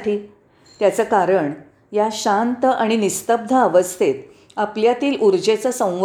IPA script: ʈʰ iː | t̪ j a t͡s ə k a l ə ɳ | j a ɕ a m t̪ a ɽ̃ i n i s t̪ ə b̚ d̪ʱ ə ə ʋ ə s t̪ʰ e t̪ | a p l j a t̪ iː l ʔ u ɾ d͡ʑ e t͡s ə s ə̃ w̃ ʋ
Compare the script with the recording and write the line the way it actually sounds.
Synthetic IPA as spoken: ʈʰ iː | t̪ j a t͡s ə k a ɾ ə ɳ | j a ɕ a n t̪ a ɽ̃ i n i s t̪ ə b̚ d̪ʱ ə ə ʋ ə s t̪ʰ e t̪ | a p l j a t̪ iː l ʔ u ɾ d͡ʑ e t͡s ə s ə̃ w̃ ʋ